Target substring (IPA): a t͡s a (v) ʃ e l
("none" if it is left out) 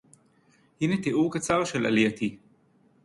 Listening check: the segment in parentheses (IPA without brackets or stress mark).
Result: ʁ